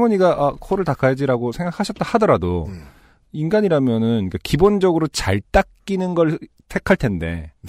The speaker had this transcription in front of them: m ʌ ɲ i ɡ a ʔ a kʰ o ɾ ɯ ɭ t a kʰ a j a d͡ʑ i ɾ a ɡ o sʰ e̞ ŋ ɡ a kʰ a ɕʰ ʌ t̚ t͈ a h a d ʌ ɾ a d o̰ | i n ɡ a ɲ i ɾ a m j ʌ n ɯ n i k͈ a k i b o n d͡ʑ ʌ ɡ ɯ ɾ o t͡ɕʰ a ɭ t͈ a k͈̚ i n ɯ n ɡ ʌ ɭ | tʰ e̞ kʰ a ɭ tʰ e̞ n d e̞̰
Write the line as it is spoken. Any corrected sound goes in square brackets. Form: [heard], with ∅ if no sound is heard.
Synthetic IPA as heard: m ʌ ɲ i ɡ a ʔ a kʰ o ɾ ɯ ɭ t a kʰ a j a d͡ʑ i ɾ a ɡ o sʰ e̞ ŋ ɡ a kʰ a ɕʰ ʌ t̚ t͈ a h a d ʌ ɾ a d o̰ | i n ɡ a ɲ i ɾ a m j ʌ n ɯ n i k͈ a k i b o n d͡ʑ ʌ ɡ ɯ ɾ o [t͡ɕ] a ɭ t͈ a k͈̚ i n ɯ n ɡ ʌ ɭ | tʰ e̞ kʰ a ɭ tʰ e̞ n d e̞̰